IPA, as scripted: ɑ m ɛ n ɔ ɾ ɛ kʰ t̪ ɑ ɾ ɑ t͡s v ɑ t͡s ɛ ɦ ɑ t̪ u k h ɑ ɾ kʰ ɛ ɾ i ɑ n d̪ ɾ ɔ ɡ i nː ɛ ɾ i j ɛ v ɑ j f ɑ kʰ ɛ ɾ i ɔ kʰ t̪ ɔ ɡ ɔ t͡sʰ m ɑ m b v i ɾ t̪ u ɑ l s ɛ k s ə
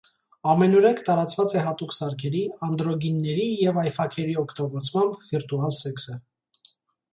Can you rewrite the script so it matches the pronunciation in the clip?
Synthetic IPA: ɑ m ɛ n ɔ ɾ ɛ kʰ t̪ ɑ ɾ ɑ t͡s v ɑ t͡s ɛ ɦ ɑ t̪ u k s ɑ ɾ kʰ ɛ ɾ i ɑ n d̪ ɾ ɔ ɡ i nː ɛ ɾ i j ɛ v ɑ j f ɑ kʰ ɛ ɾ i ɔ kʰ t̪ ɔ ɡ ɔ t͡sʰ m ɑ m b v i ɾ t̪ u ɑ l s ɛ k s ə